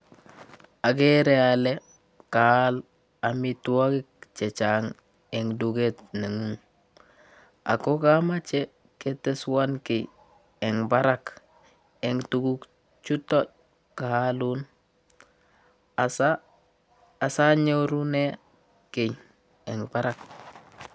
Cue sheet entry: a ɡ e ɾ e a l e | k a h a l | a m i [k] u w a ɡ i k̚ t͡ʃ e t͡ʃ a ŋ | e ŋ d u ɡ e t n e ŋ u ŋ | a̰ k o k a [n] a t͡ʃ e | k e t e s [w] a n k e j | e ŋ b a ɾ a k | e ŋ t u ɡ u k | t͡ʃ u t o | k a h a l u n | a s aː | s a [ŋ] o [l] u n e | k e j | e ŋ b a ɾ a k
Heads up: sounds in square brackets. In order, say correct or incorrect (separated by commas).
incorrect, incorrect, correct, incorrect, incorrect